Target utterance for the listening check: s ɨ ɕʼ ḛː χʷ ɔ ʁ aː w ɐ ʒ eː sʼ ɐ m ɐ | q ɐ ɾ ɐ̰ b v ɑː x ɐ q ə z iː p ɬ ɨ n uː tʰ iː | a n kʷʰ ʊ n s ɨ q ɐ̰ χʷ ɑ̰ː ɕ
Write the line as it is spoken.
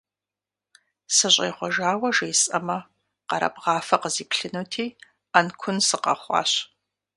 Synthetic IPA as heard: s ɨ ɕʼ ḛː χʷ ɔ ʒ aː w ɐ ʒ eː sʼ ɐ m ɐ | q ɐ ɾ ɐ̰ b ʁ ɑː f ɐ q ə z iː p ɬ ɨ n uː tʰ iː | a n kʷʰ ʊ n s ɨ q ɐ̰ χʷ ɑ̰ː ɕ